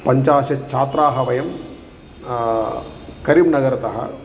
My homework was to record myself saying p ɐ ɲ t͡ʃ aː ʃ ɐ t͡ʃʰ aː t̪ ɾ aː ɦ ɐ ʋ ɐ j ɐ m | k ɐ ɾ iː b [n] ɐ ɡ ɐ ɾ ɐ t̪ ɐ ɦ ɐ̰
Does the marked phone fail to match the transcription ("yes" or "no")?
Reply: no